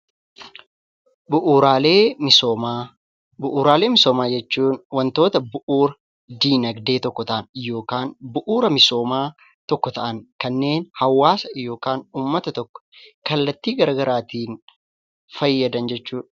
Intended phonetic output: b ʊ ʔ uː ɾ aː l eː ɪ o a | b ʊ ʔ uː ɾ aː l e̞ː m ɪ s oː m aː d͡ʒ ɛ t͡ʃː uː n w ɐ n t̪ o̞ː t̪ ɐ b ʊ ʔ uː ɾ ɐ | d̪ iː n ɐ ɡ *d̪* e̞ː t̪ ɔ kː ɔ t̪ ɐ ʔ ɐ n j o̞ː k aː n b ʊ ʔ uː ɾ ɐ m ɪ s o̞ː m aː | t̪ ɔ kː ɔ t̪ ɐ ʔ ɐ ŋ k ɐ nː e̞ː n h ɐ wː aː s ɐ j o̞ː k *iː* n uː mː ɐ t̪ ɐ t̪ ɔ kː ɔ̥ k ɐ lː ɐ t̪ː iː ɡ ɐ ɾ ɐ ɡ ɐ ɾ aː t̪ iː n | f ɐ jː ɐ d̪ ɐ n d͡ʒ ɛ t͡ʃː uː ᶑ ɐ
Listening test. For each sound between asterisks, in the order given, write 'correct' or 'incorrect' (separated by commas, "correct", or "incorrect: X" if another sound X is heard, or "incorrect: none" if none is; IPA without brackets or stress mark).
correct, incorrect: aː